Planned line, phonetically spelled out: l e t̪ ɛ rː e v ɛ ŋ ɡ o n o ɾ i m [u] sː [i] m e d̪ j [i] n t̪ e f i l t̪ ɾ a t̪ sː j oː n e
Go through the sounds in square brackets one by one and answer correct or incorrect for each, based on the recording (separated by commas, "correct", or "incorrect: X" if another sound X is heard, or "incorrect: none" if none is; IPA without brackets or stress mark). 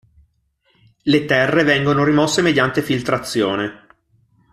incorrect: ɔ, incorrect: e, incorrect: a